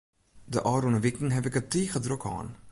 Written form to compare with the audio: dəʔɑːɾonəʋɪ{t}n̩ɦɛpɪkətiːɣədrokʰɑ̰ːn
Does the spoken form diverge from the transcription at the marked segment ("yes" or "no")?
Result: yes